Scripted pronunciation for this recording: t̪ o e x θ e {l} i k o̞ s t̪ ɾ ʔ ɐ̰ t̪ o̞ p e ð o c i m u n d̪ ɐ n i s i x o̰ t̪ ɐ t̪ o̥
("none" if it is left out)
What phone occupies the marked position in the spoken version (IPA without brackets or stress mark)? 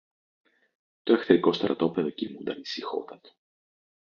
ɾ